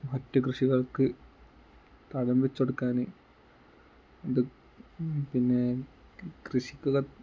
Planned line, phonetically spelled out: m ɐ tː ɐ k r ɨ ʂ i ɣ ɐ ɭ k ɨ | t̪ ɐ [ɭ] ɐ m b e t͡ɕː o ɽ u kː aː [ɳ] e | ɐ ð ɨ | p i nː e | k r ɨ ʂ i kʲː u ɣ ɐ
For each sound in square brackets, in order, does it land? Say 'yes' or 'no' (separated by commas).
no, no